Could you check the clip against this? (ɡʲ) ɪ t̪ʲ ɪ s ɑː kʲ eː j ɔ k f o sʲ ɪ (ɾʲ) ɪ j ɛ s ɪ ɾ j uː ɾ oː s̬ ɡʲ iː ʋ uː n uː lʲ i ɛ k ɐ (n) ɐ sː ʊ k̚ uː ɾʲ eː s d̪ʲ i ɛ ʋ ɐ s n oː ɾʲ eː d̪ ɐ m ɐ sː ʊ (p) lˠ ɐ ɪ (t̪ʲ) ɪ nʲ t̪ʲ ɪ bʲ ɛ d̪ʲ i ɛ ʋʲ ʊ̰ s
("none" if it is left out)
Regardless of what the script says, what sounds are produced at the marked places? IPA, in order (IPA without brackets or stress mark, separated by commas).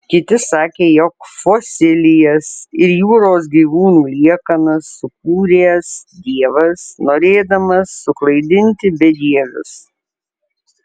kʲ, lʲ, n, k, d̪ʲ